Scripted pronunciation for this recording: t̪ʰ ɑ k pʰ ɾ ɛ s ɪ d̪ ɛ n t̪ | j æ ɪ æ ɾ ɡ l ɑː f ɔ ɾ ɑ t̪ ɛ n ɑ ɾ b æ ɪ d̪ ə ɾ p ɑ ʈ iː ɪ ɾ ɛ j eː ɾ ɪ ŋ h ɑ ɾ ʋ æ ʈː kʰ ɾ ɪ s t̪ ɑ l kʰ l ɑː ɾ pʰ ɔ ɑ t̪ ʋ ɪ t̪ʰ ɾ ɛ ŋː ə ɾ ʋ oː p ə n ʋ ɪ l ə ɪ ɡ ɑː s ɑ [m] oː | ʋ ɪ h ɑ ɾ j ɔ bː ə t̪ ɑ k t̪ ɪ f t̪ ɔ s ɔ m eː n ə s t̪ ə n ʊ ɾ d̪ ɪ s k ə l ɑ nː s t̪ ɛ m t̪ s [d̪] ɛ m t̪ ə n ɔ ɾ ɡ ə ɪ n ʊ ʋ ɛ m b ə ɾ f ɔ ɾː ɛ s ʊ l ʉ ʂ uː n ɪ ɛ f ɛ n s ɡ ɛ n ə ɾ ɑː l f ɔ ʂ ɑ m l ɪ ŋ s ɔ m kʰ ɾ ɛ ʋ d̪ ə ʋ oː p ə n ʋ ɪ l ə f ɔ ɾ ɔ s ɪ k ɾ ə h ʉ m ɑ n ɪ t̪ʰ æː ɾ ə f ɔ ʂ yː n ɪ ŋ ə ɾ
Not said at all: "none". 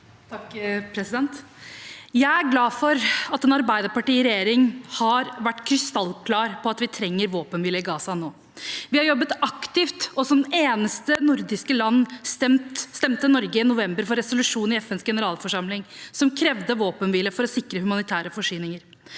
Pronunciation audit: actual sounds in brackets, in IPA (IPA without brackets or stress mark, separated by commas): n, t̪